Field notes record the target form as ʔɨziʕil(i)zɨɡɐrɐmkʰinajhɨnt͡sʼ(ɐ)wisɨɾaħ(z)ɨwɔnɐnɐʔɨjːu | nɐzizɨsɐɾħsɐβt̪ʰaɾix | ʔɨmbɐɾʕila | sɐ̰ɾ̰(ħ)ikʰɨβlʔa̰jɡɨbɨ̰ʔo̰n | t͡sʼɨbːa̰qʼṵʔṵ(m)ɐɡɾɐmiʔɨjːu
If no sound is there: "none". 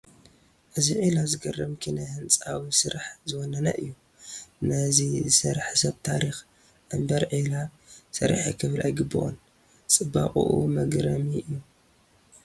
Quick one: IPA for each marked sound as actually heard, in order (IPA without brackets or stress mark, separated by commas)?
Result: a, a, z, ħ, m